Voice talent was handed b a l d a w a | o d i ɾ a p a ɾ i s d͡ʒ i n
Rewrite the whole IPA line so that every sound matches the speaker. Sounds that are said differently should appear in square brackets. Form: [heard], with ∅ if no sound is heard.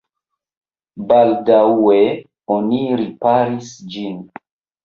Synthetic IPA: b a l d a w [e] | o [n] i ɾ [i] p a ɾ i s d͡ʒ i n